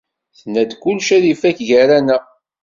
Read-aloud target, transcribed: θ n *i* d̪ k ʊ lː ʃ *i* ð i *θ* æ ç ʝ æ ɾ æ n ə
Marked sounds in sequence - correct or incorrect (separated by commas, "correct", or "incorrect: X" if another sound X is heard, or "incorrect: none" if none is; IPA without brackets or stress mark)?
incorrect: æ, incorrect: æ, incorrect: f